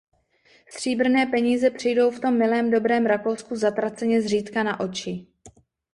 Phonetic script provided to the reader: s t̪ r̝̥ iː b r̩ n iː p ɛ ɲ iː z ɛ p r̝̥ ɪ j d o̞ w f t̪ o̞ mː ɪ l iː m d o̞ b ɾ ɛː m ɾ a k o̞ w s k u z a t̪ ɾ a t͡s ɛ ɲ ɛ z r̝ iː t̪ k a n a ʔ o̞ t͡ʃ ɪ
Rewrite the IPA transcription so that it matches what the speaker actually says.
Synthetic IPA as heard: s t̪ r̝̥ iː b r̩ n ɛː p ɛ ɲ iː z ɛ p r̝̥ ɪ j d o̞ w f t̪ o̞ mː ɪ l ɛː m d o̞ b ɾ ɛː m ɾ a k o̞ w s k u z a t̪ ɾ a t͡s ɛ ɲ ɛ z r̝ iː t̪ k a n a ʔ o̞ t͡ʃ ɪ